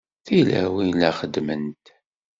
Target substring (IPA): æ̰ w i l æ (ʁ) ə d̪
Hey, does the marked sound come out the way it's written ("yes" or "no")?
no